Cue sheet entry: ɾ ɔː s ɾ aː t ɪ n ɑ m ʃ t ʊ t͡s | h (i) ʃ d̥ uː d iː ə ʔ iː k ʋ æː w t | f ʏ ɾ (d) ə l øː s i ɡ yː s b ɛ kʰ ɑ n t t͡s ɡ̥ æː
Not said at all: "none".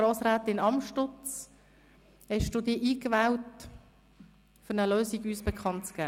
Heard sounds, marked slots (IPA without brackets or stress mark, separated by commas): ɛ, n